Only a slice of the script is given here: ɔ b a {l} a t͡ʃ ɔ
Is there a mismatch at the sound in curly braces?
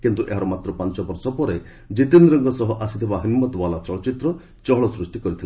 no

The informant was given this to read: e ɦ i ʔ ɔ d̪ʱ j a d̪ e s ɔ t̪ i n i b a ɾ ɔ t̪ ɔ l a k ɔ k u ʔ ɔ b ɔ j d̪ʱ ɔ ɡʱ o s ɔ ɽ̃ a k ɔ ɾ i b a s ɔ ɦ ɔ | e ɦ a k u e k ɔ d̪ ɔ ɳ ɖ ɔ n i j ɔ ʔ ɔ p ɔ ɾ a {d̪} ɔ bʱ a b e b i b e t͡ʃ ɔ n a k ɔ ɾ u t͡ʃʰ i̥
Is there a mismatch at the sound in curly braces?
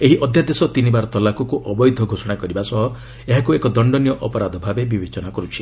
no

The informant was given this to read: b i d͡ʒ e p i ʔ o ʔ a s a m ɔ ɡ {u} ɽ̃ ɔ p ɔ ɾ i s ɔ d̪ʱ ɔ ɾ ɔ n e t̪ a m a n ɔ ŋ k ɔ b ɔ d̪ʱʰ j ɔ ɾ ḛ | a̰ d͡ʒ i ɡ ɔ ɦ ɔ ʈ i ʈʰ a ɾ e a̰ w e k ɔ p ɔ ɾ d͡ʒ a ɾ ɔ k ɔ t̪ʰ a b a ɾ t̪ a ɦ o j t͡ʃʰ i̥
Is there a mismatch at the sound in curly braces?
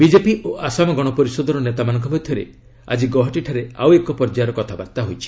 yes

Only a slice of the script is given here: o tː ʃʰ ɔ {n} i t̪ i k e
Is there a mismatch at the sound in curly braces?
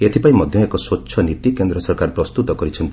no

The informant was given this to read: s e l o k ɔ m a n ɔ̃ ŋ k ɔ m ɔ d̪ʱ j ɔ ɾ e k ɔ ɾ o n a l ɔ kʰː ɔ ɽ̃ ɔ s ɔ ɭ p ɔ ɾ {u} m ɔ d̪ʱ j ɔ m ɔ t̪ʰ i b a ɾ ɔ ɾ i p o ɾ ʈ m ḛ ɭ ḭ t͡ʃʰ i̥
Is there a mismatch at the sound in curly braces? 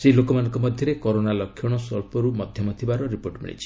no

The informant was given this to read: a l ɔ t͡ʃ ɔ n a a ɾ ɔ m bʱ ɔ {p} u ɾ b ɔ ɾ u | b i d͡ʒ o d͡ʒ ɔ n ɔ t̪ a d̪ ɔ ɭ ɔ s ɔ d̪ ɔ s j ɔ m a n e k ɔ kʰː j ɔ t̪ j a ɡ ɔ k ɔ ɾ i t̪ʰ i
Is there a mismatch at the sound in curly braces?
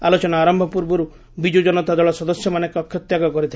no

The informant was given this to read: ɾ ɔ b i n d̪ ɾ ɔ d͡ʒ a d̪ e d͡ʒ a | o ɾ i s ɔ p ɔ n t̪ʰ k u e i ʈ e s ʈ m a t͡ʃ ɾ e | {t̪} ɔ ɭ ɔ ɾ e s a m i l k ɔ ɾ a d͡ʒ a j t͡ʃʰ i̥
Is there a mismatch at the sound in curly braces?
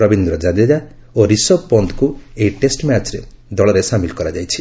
yes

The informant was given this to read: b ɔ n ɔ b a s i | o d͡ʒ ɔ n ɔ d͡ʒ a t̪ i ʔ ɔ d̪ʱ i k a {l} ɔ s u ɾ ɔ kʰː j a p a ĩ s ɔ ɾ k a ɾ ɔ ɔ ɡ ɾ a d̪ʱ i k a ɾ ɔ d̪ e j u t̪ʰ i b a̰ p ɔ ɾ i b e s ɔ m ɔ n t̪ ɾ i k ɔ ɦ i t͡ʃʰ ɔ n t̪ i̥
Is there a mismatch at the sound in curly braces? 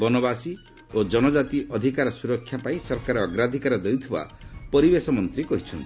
yes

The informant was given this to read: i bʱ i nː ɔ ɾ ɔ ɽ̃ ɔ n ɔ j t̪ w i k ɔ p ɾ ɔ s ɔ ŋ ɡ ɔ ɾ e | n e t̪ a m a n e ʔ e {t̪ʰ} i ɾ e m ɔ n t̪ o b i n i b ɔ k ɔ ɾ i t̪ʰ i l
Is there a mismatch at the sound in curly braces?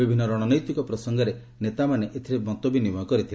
no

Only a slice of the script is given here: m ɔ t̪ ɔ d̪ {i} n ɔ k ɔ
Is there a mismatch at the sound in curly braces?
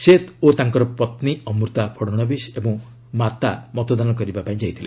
yes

